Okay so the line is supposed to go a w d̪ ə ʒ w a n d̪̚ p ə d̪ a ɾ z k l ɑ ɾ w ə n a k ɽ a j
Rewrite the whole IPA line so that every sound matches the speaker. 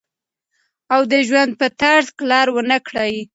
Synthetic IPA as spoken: a w d̪ ə ʒ w a n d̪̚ p ə t̪ a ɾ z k l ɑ ɾ w ə n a k ɽ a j